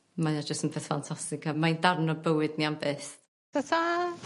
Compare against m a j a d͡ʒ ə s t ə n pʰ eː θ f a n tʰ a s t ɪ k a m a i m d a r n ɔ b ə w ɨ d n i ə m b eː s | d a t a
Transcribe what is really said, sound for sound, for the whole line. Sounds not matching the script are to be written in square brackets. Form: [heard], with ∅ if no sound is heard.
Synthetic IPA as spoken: m a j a d͡ʒ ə s t ə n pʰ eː θ f a n tʰ a s t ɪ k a m a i [n] d a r n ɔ b ə w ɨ d n i [a] m b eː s | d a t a